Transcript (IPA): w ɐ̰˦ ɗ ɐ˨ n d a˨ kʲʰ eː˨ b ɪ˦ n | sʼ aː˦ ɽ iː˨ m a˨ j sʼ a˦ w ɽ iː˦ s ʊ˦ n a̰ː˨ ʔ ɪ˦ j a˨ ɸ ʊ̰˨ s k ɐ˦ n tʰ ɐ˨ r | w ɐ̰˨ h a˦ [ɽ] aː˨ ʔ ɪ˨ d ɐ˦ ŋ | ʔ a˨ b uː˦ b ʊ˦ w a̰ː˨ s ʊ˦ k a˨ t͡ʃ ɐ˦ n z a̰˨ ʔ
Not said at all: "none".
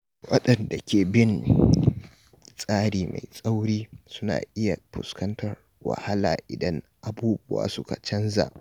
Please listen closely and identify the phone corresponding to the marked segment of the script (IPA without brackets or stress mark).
l